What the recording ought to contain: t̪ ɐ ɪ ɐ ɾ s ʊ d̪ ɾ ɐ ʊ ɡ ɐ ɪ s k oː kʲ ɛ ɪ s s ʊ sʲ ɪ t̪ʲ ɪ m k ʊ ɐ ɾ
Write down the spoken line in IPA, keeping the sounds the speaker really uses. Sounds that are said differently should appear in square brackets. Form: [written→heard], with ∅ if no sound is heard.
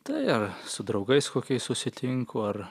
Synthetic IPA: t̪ ɐ ɪ ɐ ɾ s ʊ d̪ ɾ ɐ ʊ ɡ ɐ ɪ s k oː kʲ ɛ ɪ s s ʊ sʲ ɪ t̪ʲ ɪ [m→ŋ] k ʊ ɐ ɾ